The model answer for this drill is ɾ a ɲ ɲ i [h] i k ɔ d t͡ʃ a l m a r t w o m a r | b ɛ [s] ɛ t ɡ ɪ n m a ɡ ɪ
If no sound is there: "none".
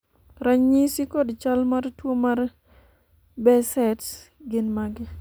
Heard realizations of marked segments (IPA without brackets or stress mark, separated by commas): s, s